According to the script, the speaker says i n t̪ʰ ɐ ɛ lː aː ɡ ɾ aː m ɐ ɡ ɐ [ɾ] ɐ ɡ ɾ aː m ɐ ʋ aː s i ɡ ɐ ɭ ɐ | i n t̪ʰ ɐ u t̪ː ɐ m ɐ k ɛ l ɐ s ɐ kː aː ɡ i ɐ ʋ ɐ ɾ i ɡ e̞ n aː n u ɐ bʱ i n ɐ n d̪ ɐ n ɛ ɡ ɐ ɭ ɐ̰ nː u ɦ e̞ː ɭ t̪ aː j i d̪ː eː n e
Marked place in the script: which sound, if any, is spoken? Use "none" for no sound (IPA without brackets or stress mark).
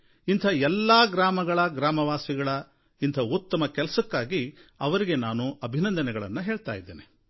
ɭ